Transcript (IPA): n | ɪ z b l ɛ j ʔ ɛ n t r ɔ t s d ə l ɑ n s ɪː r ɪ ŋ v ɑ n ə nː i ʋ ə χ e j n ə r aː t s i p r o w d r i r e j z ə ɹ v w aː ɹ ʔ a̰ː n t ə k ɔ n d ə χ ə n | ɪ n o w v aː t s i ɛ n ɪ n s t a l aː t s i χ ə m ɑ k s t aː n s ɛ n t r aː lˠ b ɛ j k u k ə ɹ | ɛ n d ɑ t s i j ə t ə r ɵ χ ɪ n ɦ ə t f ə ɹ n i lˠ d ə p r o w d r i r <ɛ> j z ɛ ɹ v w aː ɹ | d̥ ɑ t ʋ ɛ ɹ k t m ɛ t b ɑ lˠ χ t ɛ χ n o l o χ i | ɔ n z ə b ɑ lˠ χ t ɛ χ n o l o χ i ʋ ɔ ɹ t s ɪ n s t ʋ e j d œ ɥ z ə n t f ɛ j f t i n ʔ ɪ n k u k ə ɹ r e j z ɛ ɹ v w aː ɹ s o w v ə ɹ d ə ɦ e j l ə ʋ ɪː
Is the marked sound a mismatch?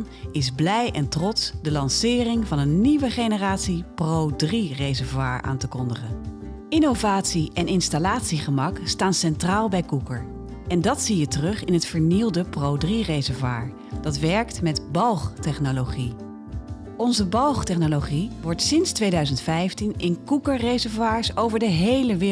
yes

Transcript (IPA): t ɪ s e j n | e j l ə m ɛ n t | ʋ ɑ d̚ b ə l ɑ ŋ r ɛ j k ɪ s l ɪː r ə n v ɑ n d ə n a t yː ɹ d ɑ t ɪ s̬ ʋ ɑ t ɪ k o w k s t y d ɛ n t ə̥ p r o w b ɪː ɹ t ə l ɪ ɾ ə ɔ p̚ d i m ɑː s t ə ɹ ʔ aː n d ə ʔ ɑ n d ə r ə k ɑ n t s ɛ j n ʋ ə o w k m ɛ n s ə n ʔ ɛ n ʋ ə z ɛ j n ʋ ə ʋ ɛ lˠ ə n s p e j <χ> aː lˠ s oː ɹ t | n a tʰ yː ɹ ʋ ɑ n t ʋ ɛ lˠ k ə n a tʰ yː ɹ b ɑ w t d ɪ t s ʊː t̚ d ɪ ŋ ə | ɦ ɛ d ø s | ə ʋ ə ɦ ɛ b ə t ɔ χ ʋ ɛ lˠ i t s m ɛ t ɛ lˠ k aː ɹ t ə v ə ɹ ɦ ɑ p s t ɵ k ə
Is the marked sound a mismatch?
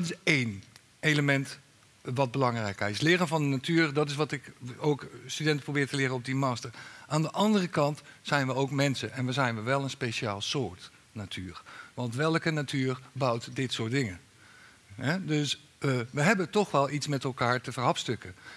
yes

